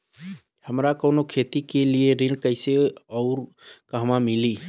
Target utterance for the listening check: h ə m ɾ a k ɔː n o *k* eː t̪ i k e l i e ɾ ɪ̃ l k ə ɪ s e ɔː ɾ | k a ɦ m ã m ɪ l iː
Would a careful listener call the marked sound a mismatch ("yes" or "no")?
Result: yes